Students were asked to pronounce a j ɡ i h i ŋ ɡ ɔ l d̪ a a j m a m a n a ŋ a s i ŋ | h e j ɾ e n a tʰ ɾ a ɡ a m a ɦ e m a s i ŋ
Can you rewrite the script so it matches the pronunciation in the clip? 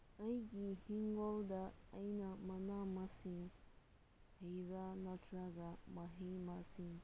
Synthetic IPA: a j ɡ i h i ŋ ɡ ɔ l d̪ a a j n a m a n a m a s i ŋ | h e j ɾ a n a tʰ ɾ a ɡ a m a ɦ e m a s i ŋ